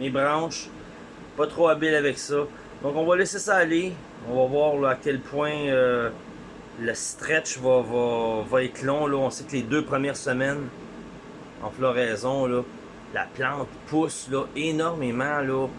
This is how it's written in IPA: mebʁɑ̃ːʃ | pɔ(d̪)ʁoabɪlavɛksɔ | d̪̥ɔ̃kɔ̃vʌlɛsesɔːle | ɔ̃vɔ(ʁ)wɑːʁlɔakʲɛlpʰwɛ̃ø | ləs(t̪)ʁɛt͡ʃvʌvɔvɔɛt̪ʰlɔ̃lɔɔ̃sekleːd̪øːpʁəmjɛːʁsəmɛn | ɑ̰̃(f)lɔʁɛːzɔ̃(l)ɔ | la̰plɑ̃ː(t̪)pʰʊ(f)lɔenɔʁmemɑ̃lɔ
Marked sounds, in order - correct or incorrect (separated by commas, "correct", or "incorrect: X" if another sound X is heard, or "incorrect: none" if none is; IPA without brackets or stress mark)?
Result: incorrect: t̪, incorrect: v, correct, correct, correct, correct, incorrect: s